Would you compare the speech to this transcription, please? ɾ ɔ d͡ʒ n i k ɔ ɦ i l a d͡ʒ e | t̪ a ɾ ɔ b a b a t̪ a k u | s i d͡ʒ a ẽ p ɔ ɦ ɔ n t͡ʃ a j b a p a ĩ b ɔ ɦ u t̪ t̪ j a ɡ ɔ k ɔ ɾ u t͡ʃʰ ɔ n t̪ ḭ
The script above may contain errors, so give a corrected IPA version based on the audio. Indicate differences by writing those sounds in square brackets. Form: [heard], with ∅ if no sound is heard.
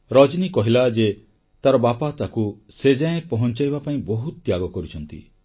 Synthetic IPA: ɾ ɔ d͡ʒ n i k ɔ ɦ i l a d͡ʒ e | t̪ a ɾ ɔ b a [p] a t̪ a k u | s [e] d͡ʒ a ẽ p ɔ ɦ ɔ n t͡ʃ a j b a p a ĩ b ɔ ɦ u t̪ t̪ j a ɡ ɔ k ɔ ɾ u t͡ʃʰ ɔ n t̪ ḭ